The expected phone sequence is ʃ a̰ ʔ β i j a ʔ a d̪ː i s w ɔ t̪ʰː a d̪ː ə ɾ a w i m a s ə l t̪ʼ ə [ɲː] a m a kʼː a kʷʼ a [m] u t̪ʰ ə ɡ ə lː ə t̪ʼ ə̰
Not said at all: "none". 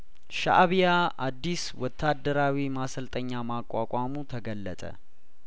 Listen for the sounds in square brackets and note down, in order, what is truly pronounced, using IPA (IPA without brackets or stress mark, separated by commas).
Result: ɲː, m